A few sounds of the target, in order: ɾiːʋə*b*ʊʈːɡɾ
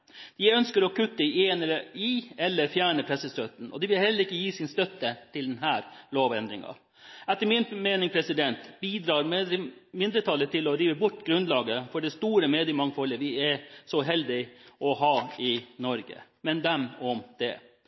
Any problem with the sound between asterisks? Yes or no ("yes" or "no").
no